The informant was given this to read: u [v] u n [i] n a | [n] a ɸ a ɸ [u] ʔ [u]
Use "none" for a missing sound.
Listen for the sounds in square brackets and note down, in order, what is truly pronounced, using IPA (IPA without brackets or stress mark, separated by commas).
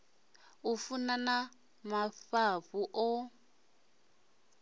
f, a, m, u, ɔ